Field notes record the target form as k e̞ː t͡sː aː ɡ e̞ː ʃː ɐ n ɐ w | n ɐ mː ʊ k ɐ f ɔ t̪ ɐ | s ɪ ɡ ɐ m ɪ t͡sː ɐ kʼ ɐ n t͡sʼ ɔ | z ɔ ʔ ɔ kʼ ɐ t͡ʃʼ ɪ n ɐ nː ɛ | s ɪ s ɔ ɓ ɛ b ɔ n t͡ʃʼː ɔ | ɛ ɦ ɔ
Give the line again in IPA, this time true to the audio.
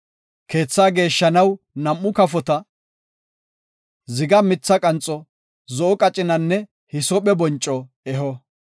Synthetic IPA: k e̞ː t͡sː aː ɡ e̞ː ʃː ɐ n ɐ w | n ɐ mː ʊ k ɐ f ɔ t̪ ɐ | z ɪ ɡ ɐ m ɪ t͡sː ɐ kʼ ɐ n t͡sʼ ɔ | z ɔ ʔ ɔ kʼ ɐ t͡ʃʼ ɪ n ɐ nː ɛ | h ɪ s ɔ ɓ ɛ b ɔ n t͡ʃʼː ɔ | ɛ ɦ ɔ